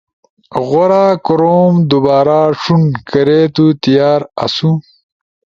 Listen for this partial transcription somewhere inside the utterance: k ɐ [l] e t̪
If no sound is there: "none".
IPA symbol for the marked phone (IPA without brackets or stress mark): ɾ